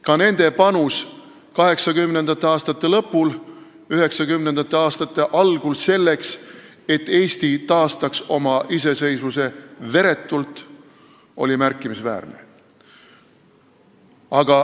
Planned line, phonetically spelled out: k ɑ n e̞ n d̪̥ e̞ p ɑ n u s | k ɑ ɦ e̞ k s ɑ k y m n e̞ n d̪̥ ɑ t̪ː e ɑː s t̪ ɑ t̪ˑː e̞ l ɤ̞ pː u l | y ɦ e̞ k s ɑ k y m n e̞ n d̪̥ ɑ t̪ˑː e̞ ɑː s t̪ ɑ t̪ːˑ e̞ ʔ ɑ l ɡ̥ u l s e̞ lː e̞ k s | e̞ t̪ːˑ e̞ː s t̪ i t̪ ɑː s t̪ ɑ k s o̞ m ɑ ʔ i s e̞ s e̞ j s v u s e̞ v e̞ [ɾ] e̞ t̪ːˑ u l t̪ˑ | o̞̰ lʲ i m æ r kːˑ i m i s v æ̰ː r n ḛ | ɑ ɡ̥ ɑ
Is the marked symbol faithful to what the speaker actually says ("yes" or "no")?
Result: yes